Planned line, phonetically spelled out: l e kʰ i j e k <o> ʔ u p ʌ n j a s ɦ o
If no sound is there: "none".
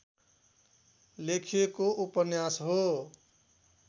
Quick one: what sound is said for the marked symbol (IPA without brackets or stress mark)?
o